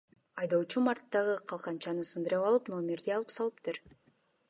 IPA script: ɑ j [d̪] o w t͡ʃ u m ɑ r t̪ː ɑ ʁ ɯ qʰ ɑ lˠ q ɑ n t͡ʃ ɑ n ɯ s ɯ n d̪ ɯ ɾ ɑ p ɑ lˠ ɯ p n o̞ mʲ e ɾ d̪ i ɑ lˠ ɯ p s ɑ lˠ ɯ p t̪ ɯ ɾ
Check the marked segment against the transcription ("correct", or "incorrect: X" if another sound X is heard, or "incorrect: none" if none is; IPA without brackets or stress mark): correct